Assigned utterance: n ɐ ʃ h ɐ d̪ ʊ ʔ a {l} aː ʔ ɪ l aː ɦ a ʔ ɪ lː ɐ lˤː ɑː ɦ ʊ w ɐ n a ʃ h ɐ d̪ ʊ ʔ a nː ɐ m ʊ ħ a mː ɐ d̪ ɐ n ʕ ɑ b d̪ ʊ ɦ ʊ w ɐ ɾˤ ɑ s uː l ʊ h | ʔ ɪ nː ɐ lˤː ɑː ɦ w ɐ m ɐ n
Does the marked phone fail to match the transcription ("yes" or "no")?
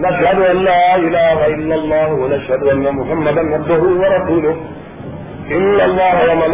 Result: yes